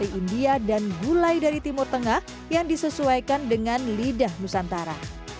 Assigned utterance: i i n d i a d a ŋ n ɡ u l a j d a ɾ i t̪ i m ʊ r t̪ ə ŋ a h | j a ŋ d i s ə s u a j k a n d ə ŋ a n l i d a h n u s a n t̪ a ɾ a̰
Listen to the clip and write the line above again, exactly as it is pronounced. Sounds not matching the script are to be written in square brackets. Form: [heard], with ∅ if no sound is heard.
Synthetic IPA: i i n d i a d a [∅] n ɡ u l a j d a ɾ i t̪ i m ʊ r t̪ ə ŋ a h | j a ŋ d i s ə s u a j k a n d ə ŋ a n l i d a h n u s a n t̪ a ɾ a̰

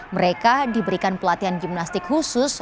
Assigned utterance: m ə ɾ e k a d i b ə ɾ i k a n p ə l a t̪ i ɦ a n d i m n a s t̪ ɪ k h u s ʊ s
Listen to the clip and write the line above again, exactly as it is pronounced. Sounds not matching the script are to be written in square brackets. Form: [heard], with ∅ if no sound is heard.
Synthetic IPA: m ə ɾ e k a d i b ə ɾ i k a n p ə l a t̪ i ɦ a n [ɡ] i m n a s t̪ ɪ k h u s ʊ s

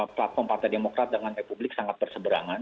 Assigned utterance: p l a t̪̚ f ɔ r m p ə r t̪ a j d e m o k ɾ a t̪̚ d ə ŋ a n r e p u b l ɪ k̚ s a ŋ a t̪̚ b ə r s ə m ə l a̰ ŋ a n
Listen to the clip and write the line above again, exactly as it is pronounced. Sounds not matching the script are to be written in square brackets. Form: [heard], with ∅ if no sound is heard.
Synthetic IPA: p l a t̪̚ f ɔ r m p [a] r t̪ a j d e m o k ɾ a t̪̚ d ə ŋ a n r e p u b l ɪ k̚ s a ŋ a t̪̚ b ə r s ə [b] ə [ɾ] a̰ ŋ a n

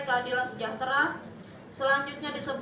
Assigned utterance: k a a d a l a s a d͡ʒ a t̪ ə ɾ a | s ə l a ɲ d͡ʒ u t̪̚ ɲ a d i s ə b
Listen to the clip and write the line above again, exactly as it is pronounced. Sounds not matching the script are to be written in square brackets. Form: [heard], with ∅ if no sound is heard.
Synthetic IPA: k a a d [i] l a s [ə] d͡ʒ a t̪ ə ɾ a | s ə l a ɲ d͡ʒ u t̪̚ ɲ a d i s ə b

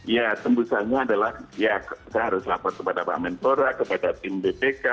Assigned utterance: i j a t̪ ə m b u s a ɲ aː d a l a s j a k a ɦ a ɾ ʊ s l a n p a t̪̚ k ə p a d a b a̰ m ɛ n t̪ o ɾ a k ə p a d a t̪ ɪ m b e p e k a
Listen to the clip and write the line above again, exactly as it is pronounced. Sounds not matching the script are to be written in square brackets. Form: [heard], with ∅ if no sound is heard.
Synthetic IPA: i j a t̪ ə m b u s a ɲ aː d a l a [h] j a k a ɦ a ɾ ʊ s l a [∅] p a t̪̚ k ə p a d a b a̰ m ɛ n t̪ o ɾ a k ə p a d a t̪ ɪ m b e p e k a

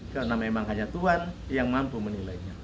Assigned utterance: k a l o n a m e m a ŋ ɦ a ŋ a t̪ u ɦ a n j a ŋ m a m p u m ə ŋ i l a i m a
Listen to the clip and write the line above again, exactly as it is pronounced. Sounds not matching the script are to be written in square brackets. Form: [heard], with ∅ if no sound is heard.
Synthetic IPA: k a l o n a m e m a ŋ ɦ a [ɲ] a t̪ u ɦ a n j a ŋ m a m p u m ə [n] i l a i [ɲ] a

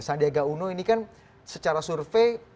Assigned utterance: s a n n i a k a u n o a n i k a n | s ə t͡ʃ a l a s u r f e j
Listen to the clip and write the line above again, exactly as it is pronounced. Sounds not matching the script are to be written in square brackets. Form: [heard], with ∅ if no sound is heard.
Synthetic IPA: s a n [d] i a [ɡ] a u n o [i] n i k a n | s ə t͡ʃ a [ɾ] a s u r f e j

